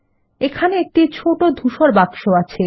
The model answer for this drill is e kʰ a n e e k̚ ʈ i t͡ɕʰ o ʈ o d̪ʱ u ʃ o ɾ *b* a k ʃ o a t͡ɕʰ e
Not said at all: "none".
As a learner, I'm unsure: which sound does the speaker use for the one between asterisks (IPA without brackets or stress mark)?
b